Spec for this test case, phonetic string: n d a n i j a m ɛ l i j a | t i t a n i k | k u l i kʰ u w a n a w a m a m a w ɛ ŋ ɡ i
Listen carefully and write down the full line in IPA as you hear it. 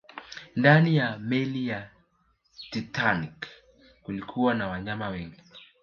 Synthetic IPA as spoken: n d a n i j a m ɛ l i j a | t i t a n i k | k u l i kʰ u w a n a w a ɲ a m a w ɛ ŋ ɡ i

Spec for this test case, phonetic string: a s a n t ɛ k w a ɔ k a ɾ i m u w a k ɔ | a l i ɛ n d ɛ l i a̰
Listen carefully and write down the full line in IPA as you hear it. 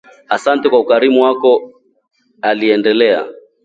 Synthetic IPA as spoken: a s a n t ɛ k w a u k a ɾ i m u w a k ɔ | a l i ɛ n d ɛ l ɛ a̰

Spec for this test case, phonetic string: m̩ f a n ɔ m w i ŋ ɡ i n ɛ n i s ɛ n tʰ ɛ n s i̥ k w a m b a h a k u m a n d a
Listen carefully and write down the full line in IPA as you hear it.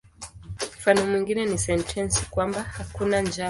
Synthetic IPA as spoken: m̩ f a n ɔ m w i ŋ ɡ i n ɛ n i s ɛ n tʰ ɛ n s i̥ k w a m b a h a k u n a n d͡ʒ a

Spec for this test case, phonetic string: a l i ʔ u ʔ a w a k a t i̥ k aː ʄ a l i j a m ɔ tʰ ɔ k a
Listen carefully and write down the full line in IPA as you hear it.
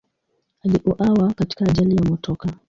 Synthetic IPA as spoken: a l i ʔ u ʔ a w a k a t i̥ k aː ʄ a l i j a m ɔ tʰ ɔ k a

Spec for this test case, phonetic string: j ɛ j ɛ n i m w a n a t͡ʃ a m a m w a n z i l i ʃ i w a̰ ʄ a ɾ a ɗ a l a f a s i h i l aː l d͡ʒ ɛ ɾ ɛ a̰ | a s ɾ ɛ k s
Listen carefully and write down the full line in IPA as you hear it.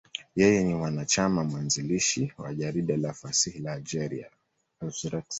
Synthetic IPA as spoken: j ɛ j ɛ n i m w a n a t͡ʃ a m a m w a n z i l i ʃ i w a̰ ʄ a ɾ i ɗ a l a f a s i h i l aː l d͡ʒ ɛ ɾ i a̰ | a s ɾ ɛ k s

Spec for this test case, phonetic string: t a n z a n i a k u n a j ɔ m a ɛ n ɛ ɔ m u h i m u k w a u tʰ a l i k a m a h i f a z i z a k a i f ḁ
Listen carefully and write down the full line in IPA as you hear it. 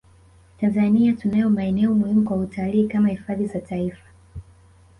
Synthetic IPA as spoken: t a n z a n i a t u n a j ɔ m a ɛ n ɛ ɔ m u h i m u k w a u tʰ a l iː k a m a h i f a ð i z a t a i f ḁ

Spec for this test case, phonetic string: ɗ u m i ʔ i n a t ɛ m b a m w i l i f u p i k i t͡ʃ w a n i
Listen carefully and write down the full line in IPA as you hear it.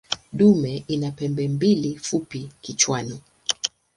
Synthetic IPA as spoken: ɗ u m ɛ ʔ i n a p ɛ m b ɛ m b i l i f u p i k i t͡ʃ w a n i

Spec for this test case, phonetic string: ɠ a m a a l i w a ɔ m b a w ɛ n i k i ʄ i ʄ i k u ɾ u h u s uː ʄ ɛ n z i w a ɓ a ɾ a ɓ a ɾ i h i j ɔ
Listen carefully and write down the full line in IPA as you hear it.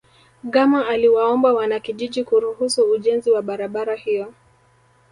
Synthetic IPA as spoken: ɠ a m a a l i w a ɔ m b a w a n a k i ʄ i ʄ i k u ɾ u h u s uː ʄ ɛ n z i w a ɓ a ɾ a ɓ a ɾ a h i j ɔ

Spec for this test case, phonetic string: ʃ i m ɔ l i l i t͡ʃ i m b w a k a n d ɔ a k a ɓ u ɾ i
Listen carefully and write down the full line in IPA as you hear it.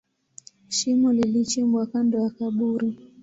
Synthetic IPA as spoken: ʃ i m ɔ l i l i t͡ʃ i m b w a k a n d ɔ a k a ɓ u ɾ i

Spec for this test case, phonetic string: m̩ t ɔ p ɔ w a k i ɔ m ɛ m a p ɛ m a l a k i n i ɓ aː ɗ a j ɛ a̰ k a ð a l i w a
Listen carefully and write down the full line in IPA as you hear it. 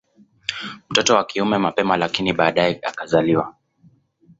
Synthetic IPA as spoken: m̩ t ɔ t ɔ w a k i u m ɛ m a p ɛ m a l a k i n i ɓ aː ɗ a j ɛ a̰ k a z a l i w a

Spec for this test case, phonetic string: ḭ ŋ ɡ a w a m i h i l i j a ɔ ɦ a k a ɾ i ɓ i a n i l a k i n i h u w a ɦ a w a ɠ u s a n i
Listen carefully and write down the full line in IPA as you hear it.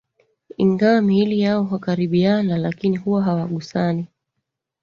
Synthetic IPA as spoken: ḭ ŋ ɡ a w a m i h i l i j a ɔ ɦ a k a ɾ i ɓ i a n a l a k i n i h u w a ɦ a w a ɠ u s a n i

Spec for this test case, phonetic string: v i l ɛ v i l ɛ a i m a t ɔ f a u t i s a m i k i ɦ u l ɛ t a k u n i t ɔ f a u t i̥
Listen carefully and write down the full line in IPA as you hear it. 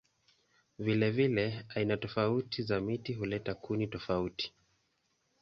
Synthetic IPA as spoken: v i l ɛ v i l ɛ a i n a t ɔ f a u t i z a m i t i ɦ u l ɛ t a k u n i t ɔ f a u t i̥

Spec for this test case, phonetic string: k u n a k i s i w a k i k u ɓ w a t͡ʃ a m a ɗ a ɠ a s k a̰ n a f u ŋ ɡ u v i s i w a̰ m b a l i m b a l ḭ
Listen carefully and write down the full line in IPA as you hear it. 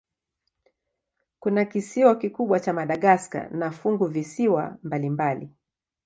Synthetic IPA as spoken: k u n a k i s i w a k i k u ɓ w a t͡ʃ a m a ɗ a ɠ a s k a̰ n a f u ŋ ɡ u v i s i w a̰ m b a l i m b a l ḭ

